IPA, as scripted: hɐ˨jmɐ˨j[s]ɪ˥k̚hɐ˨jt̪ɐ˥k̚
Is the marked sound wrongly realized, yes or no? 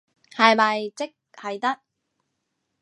yes